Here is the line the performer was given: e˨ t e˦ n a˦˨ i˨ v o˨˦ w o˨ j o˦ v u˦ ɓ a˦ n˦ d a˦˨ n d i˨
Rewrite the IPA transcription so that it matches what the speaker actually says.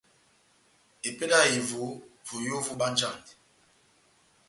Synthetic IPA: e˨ p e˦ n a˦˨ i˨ v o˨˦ v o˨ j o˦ v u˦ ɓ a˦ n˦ d͡ʒ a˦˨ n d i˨